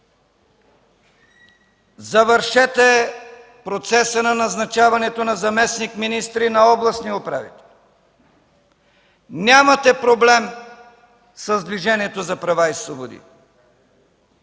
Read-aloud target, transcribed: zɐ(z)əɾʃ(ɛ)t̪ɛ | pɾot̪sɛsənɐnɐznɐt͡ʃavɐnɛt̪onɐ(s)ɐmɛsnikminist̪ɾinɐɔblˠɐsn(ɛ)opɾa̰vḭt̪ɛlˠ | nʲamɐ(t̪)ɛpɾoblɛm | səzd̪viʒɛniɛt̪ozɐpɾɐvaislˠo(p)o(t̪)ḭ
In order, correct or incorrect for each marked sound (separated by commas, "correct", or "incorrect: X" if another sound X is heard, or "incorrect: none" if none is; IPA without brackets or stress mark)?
incorrect: v, correct, incorrect: z, incorrect: i, correct, incorrect: b, incorrect: d̪